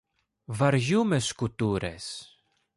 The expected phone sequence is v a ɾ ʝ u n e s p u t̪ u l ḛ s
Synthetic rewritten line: v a ɾ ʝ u m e s k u t̪ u ɾ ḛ s